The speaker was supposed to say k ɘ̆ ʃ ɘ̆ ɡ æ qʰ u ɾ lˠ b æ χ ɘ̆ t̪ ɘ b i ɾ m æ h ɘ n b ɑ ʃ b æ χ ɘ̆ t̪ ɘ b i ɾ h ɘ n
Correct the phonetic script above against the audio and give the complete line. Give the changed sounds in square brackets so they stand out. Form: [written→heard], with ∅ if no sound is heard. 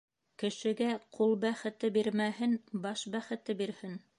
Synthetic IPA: k ɘ̆ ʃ ɘ̆ ɡ æ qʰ u [ɾ→∅] lˠ b æ χ ɘ̆ t̪ ɘ b i ɾ m æ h ɘ n b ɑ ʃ b æ χ ɘ̆ t̪ ɘ b i ɾ h ɘ n